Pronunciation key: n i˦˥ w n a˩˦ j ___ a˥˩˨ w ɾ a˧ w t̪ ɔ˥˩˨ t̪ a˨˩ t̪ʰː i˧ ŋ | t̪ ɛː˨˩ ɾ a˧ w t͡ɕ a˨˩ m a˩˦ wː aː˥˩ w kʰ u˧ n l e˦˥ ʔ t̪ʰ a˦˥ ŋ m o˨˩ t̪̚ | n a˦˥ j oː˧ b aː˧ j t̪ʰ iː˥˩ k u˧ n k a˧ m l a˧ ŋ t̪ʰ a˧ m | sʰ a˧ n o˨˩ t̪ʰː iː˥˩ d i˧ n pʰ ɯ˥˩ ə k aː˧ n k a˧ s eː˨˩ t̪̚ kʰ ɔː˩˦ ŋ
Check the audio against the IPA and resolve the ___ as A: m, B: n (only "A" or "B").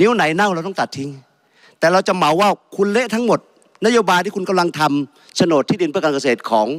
B